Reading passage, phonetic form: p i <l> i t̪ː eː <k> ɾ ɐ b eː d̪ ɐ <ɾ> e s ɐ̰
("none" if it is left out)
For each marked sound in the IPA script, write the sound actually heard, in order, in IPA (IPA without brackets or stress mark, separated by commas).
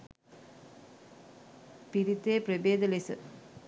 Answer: ɾ, p, l